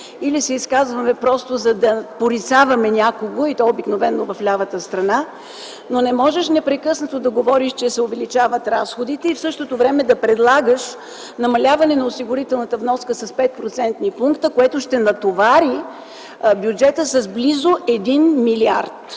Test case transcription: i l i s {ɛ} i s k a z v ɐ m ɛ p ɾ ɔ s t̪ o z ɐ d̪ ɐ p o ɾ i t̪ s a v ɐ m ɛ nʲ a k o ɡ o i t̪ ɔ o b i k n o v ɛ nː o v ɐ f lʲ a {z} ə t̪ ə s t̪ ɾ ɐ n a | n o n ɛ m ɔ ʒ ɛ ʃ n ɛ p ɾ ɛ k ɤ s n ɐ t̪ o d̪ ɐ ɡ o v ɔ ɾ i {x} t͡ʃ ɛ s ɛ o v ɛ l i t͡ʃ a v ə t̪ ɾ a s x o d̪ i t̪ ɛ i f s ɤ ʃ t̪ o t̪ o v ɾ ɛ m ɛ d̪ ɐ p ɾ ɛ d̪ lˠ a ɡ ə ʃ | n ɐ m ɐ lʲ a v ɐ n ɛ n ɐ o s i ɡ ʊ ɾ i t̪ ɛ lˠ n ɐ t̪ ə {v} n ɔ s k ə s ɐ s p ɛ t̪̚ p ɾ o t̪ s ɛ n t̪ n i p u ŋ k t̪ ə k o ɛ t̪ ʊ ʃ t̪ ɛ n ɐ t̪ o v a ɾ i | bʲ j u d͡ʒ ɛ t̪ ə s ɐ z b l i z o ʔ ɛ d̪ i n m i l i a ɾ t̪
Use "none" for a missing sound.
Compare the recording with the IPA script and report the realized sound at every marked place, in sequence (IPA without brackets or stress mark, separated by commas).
ɛ, v, ʃ, v